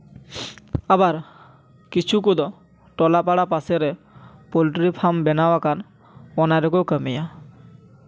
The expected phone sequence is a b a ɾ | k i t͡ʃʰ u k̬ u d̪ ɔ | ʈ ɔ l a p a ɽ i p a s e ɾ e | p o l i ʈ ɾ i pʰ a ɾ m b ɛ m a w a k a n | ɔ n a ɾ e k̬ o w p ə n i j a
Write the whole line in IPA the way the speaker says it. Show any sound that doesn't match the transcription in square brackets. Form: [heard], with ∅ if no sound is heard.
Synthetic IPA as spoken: a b a ɾ | k i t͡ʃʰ u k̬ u d̪ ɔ | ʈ ɔ l a p a ɽ [a] p a s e ɾ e | p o l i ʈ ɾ i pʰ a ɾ m b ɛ [n] a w a k a n | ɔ n a ɾ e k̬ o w [k] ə [m] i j a